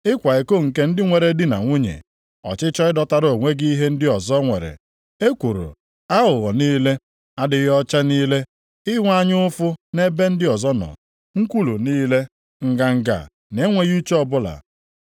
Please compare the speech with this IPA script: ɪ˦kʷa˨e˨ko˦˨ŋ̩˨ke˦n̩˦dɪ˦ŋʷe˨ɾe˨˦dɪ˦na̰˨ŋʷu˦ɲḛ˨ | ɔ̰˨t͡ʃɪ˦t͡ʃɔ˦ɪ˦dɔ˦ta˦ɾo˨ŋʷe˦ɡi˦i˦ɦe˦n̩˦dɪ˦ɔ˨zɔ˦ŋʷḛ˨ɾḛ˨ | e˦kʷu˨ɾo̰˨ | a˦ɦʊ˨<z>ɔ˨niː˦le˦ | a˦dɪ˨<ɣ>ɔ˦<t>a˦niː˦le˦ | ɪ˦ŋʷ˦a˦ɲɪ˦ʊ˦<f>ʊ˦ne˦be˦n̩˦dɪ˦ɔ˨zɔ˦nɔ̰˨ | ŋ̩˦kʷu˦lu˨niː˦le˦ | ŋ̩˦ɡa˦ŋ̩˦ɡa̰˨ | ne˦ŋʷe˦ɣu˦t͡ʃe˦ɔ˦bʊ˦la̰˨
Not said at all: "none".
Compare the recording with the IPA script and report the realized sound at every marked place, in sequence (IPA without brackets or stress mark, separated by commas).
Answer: ɣ, ɣ, t͡ʃ, f